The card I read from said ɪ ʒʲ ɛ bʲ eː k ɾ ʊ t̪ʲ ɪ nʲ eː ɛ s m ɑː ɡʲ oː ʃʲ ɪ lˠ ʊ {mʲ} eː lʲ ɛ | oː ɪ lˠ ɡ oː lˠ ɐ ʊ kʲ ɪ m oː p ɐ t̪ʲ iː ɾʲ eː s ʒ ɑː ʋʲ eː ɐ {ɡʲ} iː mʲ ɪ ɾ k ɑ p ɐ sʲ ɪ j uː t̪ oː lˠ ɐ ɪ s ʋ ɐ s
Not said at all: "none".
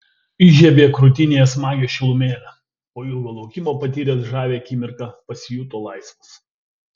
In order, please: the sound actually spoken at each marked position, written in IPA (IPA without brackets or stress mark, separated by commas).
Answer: mʲ, kʲ